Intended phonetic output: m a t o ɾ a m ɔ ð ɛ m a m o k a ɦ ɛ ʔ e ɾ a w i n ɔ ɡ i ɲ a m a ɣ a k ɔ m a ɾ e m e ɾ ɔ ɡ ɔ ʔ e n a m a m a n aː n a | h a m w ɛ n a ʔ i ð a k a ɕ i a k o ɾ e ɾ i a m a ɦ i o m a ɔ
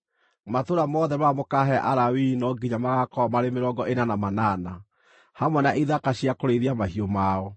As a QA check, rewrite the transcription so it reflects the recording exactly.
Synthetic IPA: m a t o ɾ a m ɔ ð ɛ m a m o k a ɦ ɛ ʔ a ɾ a w i n ɔ ɡ i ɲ a m a ɣ a k ɔ m a ɾ e m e ɾ ɔ ɡ ɔ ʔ e n a n a m a n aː n a | h a m w ɛ n a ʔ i ð a k a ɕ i a k o ɾ e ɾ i a m a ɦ i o m a ɔ